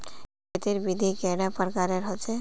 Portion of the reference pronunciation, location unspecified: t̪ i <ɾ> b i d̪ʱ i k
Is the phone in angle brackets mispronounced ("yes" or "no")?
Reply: no